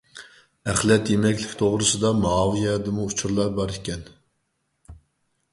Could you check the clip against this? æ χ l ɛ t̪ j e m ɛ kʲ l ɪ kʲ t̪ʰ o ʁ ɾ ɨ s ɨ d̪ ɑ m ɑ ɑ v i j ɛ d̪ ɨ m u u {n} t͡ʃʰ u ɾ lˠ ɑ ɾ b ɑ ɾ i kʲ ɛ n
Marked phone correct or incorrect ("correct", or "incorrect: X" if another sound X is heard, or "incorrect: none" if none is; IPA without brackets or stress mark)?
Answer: incorrect: none